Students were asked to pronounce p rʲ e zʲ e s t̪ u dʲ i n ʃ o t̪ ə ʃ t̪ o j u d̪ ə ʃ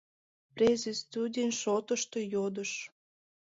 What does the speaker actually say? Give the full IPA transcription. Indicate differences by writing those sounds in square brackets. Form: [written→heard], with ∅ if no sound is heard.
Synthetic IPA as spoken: p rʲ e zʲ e s t̪ u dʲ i n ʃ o t̪ ə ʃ t̪ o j [u→o] d̪ ə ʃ